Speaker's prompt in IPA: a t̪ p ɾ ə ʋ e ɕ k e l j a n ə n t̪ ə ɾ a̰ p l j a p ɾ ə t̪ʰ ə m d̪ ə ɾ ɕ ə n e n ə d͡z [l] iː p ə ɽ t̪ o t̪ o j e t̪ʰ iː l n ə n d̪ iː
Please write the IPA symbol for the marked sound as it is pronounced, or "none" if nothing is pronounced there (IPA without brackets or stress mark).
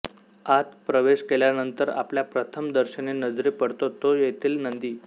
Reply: ɾ